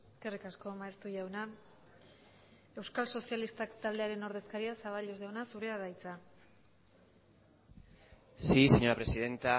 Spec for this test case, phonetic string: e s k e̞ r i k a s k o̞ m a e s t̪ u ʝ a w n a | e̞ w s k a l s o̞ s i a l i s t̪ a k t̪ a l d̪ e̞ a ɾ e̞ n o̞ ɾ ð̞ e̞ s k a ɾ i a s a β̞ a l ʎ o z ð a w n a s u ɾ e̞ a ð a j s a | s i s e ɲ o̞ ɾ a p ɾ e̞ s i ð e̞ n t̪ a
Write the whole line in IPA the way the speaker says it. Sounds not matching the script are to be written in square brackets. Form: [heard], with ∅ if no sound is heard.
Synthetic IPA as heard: e s k e̞ r i k a s k o̞ m a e s t̪ u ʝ a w n a | e̞ w s k a l s o̞ s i a l i s t̪ a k t̪ a l d̪ e̞ a ɾ e̞ n o̞ ɾ ð̞ e̞ s k a ɾ i a s a β̞ a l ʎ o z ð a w n a s u ɾ e̞ a ð a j [t͡s] a | s i s e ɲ o̞ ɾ a p ɾ e̞ s i ð e̞ n t̪ a